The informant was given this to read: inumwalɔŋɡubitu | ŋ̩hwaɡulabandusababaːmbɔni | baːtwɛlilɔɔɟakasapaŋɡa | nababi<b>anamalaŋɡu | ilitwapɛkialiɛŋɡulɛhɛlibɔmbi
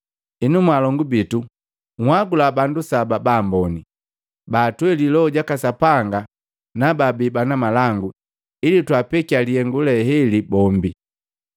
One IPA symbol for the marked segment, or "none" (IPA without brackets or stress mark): b